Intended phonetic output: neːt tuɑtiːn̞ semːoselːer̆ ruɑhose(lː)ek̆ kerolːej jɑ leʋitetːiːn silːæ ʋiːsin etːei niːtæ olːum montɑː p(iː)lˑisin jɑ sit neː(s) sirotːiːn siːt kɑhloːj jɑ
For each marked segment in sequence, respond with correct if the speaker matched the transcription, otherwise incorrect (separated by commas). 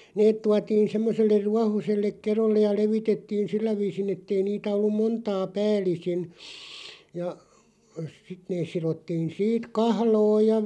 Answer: correct, incorrect, correct